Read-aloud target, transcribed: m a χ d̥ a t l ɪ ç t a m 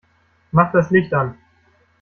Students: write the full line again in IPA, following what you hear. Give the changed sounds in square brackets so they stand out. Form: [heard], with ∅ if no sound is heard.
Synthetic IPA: m a χ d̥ a [s] l ɪ ç t a [n]